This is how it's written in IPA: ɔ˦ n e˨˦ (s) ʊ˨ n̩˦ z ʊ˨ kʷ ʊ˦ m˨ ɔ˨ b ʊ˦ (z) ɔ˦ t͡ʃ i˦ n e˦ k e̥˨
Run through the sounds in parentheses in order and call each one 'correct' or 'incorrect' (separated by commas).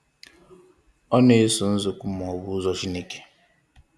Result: correct, correct